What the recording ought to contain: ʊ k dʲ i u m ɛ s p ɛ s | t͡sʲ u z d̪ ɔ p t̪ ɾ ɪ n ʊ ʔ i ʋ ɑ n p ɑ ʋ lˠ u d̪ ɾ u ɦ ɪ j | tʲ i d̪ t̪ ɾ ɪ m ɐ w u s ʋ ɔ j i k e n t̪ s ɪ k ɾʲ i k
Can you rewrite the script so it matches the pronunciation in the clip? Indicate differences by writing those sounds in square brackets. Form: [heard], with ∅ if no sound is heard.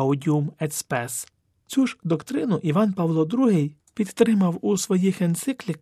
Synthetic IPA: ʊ [∅] dʲ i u m ɛ s p ɛ s | t͡sʲ u [ʒ] d̪ ɔ [k] t̪ ɾ ɪ n ʊ ʔ i ʋ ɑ n p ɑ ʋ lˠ [ɔ] d̪ ɾ u ɦ ɪ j | [pʲ] i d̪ t̪ ɾ ɪ m ɐ w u s ʋ ɔ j i [x] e n t̪ s ɪ k [lʲ] i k